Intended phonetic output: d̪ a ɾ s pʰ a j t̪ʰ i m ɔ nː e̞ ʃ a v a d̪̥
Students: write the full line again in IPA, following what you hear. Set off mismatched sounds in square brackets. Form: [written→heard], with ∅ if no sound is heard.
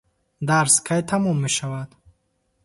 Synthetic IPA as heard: d̪ a ɾ s [pʰ→kʰ] a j t̪ʰ [i→a] m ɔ [nː→mː] e̞ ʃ a v a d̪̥